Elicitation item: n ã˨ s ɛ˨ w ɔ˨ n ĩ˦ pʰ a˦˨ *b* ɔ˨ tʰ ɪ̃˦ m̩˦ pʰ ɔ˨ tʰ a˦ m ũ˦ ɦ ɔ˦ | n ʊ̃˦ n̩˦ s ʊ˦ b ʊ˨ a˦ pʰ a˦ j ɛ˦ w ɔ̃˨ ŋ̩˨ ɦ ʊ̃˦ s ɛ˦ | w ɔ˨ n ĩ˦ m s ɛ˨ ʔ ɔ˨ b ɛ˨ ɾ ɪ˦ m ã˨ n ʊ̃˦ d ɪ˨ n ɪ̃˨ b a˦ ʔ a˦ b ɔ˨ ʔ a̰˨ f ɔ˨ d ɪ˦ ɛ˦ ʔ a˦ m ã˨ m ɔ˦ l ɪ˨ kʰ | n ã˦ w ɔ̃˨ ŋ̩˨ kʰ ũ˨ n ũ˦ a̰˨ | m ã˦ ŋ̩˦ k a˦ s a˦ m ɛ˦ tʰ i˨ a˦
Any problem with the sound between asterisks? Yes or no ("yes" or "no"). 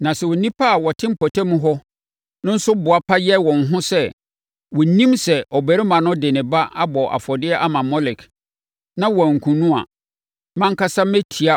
yes